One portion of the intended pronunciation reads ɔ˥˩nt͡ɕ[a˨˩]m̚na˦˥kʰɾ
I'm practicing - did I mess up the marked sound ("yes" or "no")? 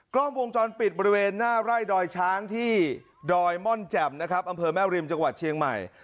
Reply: yes